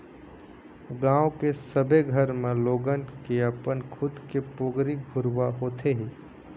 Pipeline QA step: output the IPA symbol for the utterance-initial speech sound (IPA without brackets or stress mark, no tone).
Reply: ɡ